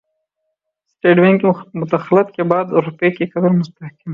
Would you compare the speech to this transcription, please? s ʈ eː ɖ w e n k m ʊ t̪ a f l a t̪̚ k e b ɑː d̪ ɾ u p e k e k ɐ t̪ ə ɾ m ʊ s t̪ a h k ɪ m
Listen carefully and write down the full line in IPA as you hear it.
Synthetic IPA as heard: s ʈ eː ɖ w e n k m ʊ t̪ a x l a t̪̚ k e b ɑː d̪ ɾ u p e k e k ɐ d̪ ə ɾ m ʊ s t̪ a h k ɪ m